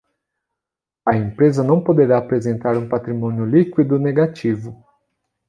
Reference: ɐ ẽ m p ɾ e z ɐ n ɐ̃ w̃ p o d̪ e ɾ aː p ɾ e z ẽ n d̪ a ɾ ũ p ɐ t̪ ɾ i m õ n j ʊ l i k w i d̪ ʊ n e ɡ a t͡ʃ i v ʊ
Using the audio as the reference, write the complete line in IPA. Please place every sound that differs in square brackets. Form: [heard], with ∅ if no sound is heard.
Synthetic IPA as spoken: ɐ ẽ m p ɾ e z ɐ n ɐ̃ w̃ p o d̪ e ɾ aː p ɾ e z ẽ n [t̪] a ɾ ũ p [a] t̪ ɾ i m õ n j ʊ l i k w i d̪ ʊ n e ɡ a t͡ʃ i v ʊ